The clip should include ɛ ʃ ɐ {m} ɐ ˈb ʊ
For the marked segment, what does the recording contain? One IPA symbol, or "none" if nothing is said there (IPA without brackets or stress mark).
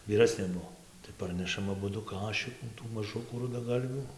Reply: m